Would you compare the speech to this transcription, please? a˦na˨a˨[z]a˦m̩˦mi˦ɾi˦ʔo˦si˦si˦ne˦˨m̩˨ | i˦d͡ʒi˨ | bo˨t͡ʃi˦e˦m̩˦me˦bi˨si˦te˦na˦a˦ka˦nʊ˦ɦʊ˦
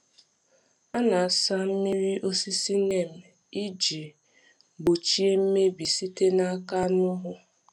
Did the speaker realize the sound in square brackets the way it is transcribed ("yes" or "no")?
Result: no